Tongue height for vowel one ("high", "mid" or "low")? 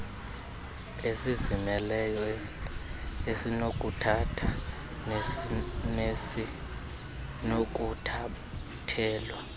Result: mid